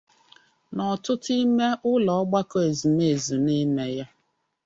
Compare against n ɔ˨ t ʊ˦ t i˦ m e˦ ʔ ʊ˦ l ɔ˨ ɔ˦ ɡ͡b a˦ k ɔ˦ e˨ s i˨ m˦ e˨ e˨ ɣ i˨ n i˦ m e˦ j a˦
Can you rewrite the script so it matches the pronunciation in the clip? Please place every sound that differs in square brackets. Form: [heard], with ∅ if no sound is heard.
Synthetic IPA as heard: n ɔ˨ t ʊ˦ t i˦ m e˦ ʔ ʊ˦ l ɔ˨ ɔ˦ ɡ͡b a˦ k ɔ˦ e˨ [z] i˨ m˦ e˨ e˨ [z] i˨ n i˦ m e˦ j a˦